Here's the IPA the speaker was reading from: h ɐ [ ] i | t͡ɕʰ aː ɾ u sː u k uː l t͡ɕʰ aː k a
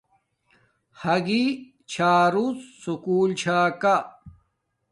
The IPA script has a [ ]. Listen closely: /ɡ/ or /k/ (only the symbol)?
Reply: ɡ